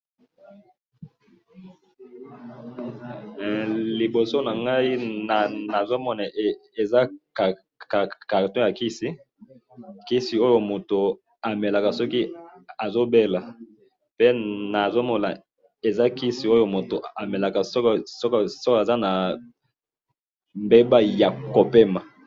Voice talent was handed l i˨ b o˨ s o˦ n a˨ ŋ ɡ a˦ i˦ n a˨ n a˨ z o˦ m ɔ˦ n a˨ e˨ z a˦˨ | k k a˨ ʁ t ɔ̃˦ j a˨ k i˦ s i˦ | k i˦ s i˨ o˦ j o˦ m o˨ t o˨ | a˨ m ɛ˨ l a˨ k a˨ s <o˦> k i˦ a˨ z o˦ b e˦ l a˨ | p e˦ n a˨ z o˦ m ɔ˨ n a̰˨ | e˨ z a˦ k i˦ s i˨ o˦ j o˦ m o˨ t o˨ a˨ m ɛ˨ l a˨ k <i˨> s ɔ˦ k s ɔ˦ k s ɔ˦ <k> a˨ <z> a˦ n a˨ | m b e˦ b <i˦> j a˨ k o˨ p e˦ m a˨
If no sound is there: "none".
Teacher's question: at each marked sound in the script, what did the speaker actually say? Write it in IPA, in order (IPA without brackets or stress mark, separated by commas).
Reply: ɔ˦, a˨, k, z, a˦